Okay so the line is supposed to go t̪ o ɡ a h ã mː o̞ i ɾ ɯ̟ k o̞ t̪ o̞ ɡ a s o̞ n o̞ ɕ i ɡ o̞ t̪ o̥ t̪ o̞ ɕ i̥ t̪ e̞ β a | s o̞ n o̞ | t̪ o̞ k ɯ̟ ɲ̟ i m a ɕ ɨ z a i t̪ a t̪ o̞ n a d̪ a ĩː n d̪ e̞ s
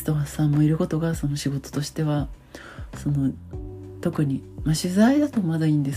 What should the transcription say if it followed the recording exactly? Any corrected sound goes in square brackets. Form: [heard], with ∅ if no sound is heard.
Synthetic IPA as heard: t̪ o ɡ a [s] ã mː o̞ i ɾ ɯ̟ k o̞ t̪ o̞ ɡ a s o̞ n o̞ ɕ i ɡ o̞ t̪ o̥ t̪ o̞ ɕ i̥ t̪ e̞ β a | s o̞ n o̞ | t̪ o̞ k ɯ̟ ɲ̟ i m a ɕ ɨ z a i [d̪] a t̪ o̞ [m] a d̪ a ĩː n d̪ e̞ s